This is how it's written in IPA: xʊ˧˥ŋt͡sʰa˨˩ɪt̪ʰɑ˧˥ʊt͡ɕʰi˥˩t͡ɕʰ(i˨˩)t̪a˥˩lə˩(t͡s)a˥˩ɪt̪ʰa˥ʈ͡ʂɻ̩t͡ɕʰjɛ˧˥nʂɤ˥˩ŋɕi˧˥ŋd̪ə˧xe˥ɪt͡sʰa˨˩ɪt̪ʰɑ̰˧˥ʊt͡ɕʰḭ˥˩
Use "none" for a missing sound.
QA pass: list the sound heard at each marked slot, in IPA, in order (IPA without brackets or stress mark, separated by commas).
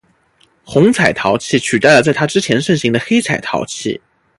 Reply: y˨˩, t͡s